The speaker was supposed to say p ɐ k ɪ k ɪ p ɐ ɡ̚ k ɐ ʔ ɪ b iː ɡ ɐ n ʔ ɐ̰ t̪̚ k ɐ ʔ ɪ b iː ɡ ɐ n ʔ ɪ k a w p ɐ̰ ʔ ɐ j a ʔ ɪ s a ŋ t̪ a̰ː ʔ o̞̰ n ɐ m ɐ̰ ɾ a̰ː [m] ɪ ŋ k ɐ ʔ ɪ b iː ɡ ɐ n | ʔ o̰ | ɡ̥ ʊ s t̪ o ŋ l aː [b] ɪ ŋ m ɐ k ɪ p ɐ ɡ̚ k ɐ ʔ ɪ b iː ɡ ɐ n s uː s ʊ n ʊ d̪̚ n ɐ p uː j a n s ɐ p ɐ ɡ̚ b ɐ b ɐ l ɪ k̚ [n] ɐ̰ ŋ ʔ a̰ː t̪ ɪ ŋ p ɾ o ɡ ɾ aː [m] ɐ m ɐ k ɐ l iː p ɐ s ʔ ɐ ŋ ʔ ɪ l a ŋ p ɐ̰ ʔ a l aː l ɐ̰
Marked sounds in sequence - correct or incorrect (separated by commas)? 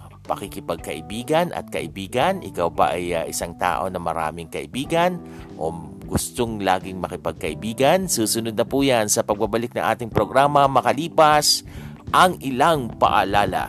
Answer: correct, incorrect, correct, correct